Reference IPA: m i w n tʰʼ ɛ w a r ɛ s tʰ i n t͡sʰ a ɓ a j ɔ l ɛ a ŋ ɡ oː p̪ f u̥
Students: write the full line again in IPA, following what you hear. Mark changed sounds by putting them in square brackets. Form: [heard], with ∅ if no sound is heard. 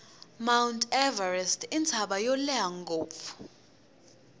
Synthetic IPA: m [a] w n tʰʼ ɛ [v] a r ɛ s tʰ i n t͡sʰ a ɓ a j ɔ l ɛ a ŋ ɡ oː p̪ f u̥

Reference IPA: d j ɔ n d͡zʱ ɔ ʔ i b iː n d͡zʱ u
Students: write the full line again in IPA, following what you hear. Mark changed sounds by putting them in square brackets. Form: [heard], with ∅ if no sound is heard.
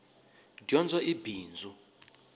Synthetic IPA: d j ɔ n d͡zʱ ɔ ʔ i b iː n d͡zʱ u

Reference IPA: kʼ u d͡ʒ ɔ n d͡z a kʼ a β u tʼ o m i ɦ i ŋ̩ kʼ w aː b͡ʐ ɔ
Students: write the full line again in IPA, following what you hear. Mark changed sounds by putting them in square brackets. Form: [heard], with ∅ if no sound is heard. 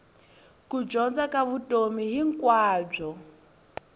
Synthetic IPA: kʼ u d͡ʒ ɔ n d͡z a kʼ a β u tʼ o m i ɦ i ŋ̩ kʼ w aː b͡ʐ ɔ

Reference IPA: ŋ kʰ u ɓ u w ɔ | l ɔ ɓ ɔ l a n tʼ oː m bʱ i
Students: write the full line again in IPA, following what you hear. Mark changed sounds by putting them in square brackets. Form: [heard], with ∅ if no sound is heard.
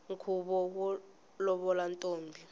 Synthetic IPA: ŋ kʰ u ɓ [ɔ] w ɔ | l ɔ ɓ ɔ l a n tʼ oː m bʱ i

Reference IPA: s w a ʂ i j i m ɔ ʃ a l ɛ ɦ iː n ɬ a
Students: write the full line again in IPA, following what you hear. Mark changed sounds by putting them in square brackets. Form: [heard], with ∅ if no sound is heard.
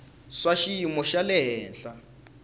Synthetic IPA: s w a [ʃ] i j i m ɔ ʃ a l ɛ ɦ [ɛː] n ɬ a

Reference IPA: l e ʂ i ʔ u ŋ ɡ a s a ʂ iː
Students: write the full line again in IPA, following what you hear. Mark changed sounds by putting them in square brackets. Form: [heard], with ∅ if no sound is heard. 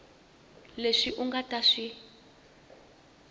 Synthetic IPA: l e ʂ i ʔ u ŋ ɡ a [t] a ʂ [i]

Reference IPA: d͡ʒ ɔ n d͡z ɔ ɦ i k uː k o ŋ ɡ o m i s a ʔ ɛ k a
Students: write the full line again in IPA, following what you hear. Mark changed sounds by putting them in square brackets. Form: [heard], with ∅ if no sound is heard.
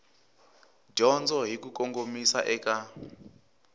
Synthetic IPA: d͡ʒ ɔ n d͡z ɔ ɦ i k [u] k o ŋ ɡ o m i s a ʔ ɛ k a

